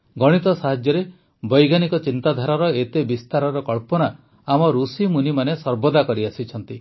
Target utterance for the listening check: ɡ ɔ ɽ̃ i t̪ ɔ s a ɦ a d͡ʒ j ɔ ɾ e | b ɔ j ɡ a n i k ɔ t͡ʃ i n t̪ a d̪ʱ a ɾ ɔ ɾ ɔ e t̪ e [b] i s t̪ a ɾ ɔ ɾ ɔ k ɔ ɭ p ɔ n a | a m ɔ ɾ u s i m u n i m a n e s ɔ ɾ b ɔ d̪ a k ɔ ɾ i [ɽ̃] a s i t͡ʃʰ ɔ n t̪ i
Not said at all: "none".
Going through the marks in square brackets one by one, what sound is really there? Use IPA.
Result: b, none

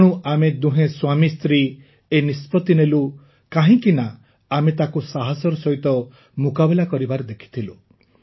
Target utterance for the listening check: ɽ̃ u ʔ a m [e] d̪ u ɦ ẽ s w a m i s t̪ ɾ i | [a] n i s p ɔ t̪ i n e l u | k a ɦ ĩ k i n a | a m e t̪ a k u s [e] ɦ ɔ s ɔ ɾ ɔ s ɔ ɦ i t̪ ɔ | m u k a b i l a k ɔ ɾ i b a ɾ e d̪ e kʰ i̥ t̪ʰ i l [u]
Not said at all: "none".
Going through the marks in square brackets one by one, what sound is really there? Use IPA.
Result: e, e, a, u

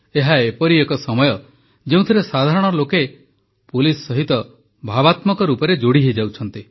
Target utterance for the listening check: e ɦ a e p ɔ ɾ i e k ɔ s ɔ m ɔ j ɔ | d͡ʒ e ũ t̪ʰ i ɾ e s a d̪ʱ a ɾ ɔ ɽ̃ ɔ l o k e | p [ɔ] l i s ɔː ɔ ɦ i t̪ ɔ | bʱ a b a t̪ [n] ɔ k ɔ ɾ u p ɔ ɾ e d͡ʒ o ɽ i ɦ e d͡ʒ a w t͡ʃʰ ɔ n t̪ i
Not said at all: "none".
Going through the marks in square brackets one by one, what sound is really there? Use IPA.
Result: u, m

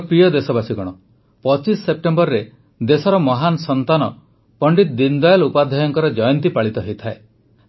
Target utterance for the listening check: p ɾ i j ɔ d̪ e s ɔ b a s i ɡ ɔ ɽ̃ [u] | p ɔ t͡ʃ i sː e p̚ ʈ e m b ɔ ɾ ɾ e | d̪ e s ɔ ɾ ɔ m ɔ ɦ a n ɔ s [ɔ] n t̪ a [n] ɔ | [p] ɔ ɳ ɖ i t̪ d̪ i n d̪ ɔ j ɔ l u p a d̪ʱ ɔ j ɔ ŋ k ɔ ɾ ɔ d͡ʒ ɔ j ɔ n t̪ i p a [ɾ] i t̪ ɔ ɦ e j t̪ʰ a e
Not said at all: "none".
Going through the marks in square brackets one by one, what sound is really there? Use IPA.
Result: ɔ, ɔ, n, p, ɭ

